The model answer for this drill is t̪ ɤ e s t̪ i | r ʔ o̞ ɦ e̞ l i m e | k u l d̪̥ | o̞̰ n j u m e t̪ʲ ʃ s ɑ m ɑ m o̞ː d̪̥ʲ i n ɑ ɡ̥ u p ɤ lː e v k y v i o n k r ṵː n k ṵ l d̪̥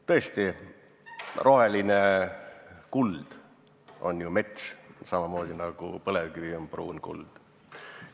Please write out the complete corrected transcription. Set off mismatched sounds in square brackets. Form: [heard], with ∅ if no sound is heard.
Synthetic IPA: t̪ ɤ e s t̪ i | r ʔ o̞ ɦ e̞ l i [n] e | k u l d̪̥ | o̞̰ n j u m e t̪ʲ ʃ s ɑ m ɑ m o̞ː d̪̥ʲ i n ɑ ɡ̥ u p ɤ [l] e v k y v i o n [p] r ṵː n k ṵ l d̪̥

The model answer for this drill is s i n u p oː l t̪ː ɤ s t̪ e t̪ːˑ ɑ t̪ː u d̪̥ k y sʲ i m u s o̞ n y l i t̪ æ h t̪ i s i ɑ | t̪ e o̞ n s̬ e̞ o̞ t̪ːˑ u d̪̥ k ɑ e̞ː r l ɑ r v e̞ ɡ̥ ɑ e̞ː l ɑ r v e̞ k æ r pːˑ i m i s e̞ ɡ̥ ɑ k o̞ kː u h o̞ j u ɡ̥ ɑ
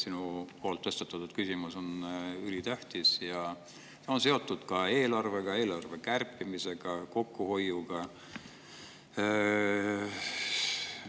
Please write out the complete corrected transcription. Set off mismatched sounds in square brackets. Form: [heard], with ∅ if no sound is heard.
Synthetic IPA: s i n u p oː l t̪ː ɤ s t̪ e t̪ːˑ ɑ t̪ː u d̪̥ k y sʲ i m u s o̞ n y l i t̪ æ h t̪ i s [j] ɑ | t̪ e o̞ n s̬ e̞ o̞ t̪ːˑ u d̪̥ k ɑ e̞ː [∅] l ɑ r v e̞ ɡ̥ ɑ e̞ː l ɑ r v e̞ k æ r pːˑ i m i s e̞ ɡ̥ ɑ k o̞ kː u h o̞ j u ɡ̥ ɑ

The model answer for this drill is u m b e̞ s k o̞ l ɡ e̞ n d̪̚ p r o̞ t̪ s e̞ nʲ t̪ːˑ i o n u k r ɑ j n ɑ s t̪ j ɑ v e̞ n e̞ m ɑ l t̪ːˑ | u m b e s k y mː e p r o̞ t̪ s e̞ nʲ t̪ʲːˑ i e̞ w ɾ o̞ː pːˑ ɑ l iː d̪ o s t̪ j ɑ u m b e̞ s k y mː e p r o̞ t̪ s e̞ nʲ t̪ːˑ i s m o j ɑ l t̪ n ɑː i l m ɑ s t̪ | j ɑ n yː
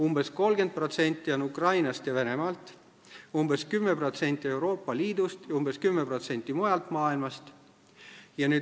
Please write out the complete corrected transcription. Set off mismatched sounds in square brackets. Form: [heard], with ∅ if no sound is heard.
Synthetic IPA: u m b e̞ s k o̞ l ɡ e̞ n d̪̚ p r o̞ t̪ s e̞ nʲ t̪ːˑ i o n u k r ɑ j n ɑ s t̪ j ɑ v e̞ n e̞ m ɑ l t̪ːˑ | u m b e s k y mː e p r o̞ t̪ s e̞ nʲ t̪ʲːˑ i e̞ w ɾ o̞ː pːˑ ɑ l iː d̪ [u] s t̪ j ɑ u m b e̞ s k y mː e p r o̞ t̪ s e̞ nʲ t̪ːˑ i [∅] m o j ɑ l t̪ [m] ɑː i l m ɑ s t̪ | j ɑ n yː

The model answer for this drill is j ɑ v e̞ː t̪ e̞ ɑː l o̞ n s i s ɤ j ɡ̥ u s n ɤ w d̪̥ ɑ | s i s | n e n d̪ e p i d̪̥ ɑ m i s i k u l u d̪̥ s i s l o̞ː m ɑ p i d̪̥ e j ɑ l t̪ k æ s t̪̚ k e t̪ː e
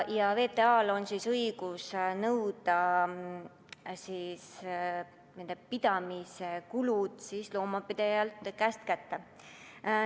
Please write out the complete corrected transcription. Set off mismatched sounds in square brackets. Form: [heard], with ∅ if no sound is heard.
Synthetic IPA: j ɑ v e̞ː t̪ e̞ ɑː l o̞ n s i s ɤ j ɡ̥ u s n ɤ w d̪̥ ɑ | s i s | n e n d̪ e p i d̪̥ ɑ m i s [e] k u l u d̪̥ s i s l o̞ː m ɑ p i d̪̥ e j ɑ l t̪ k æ s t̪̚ k [æ] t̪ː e

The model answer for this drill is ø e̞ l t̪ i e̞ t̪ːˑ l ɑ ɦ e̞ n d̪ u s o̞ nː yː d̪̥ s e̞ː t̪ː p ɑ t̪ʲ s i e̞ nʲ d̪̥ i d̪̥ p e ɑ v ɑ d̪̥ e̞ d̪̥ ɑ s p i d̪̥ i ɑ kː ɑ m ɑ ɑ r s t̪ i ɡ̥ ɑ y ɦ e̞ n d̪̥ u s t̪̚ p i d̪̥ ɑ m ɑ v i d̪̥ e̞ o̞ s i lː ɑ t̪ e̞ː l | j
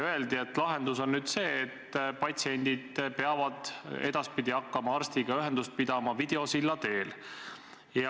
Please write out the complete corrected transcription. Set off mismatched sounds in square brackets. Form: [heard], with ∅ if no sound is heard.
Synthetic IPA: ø e̞ l [d̪] i e̞ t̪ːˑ l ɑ ɦ e̞ n d̪ u s o̞ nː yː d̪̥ s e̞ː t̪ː p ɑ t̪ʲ s i e̞ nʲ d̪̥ i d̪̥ p e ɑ v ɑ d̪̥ e̞ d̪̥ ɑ s p i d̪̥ i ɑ kː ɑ m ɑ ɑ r s t̪ i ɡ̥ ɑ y ɦ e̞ n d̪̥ u s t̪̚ p i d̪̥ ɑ m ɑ v i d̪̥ e̞ o̞ s i lː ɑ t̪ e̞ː l | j

